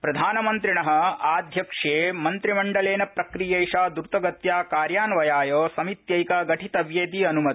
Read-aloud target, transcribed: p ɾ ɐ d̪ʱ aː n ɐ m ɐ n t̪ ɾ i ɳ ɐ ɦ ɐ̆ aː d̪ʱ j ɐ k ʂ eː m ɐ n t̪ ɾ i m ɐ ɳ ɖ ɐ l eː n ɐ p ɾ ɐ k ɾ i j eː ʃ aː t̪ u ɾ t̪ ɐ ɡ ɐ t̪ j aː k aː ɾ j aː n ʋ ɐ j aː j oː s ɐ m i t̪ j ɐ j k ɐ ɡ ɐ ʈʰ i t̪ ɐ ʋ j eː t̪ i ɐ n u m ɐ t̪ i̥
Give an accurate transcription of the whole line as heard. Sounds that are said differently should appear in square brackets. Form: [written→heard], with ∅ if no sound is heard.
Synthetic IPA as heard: p ɾ ɐ d̪ʱ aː n ɐ m ɐ n t̪ ɾ i ɳ ɐ ɦ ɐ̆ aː d̪ʱ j ɐ k ʂ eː m ɐ n t̪ ɾ i m ɐ ɳ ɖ ɐ l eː n ɐ p ɾ ɐ k ɾ i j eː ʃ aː [t̪→d̪] u ɾ t̪ ɐ ɡ ɐ t̪ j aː k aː ɾ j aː n ʋ ɐ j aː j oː s ɐ m i t̪ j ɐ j k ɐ ɡ ɐ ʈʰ i t̪ ɐ ʋ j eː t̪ i ɐ n u m ɐ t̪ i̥